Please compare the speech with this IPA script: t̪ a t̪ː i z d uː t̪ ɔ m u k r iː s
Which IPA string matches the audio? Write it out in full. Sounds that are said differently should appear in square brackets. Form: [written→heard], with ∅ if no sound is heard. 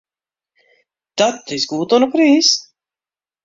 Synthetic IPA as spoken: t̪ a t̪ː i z [d→ɡ] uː t̪ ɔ [m→n] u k [r→ɾ] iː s